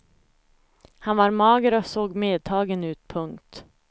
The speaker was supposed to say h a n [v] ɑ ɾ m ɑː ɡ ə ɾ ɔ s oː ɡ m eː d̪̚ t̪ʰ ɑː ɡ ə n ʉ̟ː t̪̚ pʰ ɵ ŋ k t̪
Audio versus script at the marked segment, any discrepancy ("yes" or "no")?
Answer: no